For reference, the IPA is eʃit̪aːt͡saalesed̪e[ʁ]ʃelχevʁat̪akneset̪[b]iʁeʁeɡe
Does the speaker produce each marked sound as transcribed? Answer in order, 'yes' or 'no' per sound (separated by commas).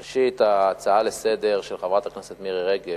yes, no